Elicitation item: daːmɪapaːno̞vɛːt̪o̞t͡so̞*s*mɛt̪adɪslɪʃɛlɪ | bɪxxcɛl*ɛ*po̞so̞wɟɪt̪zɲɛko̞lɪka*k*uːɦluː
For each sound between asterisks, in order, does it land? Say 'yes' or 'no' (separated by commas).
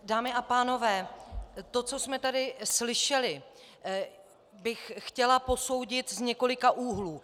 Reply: yes, no, no